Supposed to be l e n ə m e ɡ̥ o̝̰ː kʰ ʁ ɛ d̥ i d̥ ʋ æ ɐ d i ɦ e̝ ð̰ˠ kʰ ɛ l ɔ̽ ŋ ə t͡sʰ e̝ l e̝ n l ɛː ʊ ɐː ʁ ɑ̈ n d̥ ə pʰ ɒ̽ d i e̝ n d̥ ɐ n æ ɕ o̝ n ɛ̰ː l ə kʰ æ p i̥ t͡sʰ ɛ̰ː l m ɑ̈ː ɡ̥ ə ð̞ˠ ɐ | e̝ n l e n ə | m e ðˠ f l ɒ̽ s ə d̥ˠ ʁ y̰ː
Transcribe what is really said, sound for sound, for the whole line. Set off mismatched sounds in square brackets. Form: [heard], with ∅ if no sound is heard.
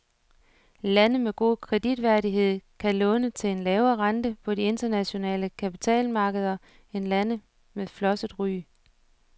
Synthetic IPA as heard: l [æ] n ə m e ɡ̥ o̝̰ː kʰ ʁ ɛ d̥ i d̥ ʋ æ ɐ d i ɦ e̝ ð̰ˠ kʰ [æ] l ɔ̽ [n] ə t͡sʰ e̝ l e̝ n l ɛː ʊ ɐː ʁ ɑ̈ n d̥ ə pʰ ɒ̽ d i e̝ n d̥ ɐ n æ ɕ o̝ n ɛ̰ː l ə kʰ æ p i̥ t͡sʰ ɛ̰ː l m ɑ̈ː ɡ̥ ə ð̞ˠ ɐ | e̝ n l [æ] n ə | m e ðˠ f l ɒ̽ s ə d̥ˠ ʁ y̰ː